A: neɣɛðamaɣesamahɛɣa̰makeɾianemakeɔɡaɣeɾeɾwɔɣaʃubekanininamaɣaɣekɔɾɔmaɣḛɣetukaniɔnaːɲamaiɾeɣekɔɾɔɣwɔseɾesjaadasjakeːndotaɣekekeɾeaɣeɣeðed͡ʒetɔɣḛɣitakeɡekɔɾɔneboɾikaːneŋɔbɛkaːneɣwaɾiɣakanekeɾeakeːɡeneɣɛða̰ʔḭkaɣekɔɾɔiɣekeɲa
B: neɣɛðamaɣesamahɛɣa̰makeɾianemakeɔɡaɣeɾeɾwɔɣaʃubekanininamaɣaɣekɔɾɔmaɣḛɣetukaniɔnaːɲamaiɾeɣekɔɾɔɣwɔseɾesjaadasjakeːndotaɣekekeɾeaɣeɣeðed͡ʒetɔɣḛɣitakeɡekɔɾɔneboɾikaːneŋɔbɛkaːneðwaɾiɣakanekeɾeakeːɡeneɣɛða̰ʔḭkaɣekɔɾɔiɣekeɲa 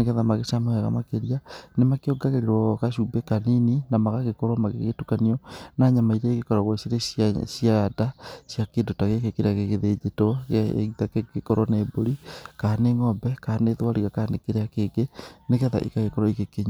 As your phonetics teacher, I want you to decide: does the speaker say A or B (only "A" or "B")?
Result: B